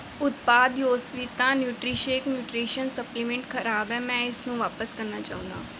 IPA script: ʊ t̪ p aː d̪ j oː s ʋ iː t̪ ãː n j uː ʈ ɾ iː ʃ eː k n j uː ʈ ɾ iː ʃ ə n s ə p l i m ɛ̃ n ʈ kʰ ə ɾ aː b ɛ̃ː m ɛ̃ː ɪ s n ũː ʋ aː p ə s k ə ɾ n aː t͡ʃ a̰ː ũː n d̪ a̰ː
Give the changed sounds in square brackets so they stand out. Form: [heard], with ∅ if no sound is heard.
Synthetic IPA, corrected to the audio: ʊ t̪ p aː d̪ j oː s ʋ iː t̪ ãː n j uː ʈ ɾ iː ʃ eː k n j uː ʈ ɾ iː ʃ ə n s ə p l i m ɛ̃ [ɳ] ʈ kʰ ə ɾ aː b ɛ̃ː m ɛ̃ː ɪ s n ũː ʋ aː p ə s k ə ɾ n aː t͡ʃ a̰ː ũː n d̪ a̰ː

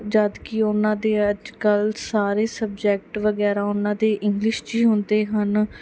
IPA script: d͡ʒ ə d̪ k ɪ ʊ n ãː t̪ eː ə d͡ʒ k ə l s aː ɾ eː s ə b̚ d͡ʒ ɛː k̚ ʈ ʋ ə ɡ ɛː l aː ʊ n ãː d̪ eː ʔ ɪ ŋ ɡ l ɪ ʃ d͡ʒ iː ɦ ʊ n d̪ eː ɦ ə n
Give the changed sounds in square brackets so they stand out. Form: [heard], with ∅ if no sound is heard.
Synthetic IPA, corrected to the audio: d͡ʒ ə d̪ k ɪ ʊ n ãː [d̪] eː ə d͡ʒ k ə l s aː ɾ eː s ə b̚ d͡ʒ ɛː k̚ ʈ ʋ ə ɡ ɛː [ɾ] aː ʊ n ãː d̪ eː ʔ ɪ ŋ ɡ l ɪ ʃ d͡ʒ iː ɦ ʊ n d̪ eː ɦ ə n

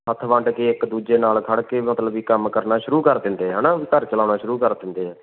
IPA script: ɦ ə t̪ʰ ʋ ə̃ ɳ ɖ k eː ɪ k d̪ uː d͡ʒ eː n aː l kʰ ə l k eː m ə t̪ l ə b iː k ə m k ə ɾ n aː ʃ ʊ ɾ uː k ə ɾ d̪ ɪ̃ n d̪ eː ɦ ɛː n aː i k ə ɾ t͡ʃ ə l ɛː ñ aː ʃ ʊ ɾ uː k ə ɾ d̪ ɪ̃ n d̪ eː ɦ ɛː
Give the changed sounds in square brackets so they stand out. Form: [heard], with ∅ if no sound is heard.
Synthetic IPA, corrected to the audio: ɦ ə t̪ʰ ʋ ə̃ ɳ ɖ k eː ɪ k d̪ uː d͡ʒ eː n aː l kʰ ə [ɽ] k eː m ə t̪ l ə b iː k ə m k ə ɾ n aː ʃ ʊ ɾ uː k ə ɾ d̪ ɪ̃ n d̪ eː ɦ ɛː n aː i k ə ɾ t͡ʃ ə l [aː] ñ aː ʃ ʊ ɾ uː k ə ɾ d̪ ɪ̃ n d̪ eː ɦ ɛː

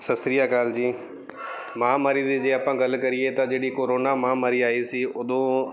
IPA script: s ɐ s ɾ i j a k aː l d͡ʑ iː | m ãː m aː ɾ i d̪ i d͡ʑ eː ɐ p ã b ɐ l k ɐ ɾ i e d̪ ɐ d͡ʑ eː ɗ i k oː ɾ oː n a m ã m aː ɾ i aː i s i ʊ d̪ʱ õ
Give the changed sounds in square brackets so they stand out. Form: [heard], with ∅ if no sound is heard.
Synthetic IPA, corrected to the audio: s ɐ s ɾ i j a k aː l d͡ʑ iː | m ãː m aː ɾ i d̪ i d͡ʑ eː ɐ p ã [ɡ] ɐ l k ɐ ɾ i e [t̪] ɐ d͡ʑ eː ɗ i k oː ɾ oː n a m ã m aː ɾ i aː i s i ʊ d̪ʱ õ

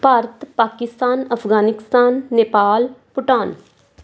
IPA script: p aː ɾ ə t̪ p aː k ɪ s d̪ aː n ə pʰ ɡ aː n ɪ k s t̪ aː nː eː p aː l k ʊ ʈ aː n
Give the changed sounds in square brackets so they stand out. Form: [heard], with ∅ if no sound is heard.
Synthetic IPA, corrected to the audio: p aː ɾ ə t̪ p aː k ɪ s [t̪] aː n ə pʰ ɡ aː n ɪ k s t̪ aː nː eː p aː l [p] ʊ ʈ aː n

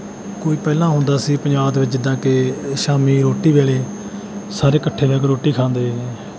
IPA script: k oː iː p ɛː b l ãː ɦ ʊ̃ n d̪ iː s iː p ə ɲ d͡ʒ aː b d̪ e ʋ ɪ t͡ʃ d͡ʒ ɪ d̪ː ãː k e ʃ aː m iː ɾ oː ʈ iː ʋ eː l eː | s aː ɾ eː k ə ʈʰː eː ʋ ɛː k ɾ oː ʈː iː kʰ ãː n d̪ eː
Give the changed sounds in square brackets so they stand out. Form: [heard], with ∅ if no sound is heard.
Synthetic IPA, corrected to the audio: k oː iː p ɛː [∅] l ãː ɦ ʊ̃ n d̪ [aː] s iː p ə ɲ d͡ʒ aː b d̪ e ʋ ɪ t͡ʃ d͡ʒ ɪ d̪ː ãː k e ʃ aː m iː ɾ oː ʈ iː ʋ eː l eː | s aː ɾ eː k ə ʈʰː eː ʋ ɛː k ɾ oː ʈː iː kʰ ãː n d̪ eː

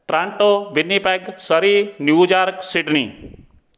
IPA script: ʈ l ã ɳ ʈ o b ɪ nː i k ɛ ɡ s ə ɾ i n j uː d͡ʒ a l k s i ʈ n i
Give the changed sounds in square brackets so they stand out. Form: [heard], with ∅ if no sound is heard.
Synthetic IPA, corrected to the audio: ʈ [ɾ] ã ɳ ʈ o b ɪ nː i [p] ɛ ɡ s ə ɾ i n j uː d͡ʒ a [ɾ] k s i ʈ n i

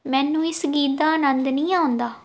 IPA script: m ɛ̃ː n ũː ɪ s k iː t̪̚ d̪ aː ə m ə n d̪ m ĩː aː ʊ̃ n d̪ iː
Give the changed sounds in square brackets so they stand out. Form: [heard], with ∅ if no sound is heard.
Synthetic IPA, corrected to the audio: m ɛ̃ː n ũː ɪ s [ɡ] iː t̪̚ d̪ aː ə [n] ə n d̪ [n] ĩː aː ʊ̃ n d̪ [aː]

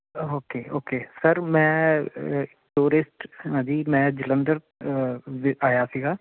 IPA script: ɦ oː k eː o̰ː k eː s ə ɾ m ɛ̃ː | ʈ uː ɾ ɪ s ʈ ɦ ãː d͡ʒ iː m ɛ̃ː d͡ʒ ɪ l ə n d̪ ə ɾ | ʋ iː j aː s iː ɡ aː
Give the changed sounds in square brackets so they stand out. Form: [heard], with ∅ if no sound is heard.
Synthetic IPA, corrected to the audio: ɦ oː k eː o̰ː k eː s ə ɾ m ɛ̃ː | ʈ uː ɾ ɪ s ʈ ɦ ãː d͡ʒ iː m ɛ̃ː d͡ʒ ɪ l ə n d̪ ə ɾ | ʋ [aː] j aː s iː ɡ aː

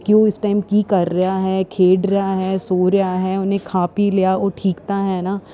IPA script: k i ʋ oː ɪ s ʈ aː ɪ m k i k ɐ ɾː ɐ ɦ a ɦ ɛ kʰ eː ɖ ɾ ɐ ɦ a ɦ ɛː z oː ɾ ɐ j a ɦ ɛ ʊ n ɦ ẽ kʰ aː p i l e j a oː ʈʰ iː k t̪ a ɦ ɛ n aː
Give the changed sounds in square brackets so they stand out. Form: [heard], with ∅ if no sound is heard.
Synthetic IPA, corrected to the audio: k i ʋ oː ɪ s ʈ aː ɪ m k i k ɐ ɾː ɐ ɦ a ɦ ɛ kʰ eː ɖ ɾ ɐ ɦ a ɦ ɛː [s] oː ɾ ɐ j a ɦ ɛ ʊ n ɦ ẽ kʰ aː p i l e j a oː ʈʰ iː k t̪ a ɦ ɛ n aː

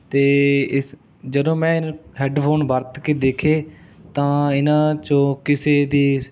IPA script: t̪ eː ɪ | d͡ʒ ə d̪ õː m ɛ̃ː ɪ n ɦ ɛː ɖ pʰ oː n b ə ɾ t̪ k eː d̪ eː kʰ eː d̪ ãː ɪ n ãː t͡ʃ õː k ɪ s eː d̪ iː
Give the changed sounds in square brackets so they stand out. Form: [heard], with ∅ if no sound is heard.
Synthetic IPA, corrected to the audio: t̪ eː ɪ | d͡ʒ ə d̪ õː m ɛ̃ː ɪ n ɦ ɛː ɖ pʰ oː n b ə ɾ t̪ k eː d̪ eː kʰ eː [t̪] ãː ɪ n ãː t͡ʃ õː k ɪ s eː d̪ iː

